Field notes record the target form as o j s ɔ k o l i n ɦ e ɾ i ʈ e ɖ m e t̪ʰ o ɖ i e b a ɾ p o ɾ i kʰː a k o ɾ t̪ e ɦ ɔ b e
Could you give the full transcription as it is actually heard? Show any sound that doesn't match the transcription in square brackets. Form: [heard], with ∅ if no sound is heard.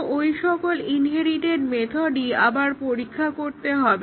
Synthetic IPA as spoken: o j [ʃ] ɔ k o l i n ɦ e ɾ i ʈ e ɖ m e t̪ʰ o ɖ i [a] b a ɾ p o ɾ i kʰː a k o ɾ t̪ e ɦ ɔ b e